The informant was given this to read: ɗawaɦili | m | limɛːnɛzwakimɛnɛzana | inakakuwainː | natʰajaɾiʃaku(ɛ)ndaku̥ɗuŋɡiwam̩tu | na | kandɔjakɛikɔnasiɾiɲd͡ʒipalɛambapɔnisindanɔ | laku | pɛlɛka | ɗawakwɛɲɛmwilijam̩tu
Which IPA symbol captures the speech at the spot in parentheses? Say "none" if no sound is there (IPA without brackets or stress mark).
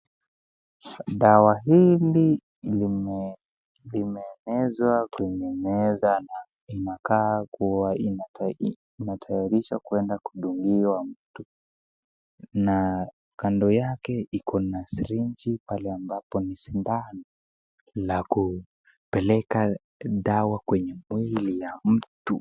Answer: ɛ